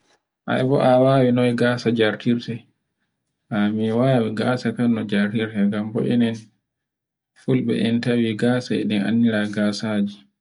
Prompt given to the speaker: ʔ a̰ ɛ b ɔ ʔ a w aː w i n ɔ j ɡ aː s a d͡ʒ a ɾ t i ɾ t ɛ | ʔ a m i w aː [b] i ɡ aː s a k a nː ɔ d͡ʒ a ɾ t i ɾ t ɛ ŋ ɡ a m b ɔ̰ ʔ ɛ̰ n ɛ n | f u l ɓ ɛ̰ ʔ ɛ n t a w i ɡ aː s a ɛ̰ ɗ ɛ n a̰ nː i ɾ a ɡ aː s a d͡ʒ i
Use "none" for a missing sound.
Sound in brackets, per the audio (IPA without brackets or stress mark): w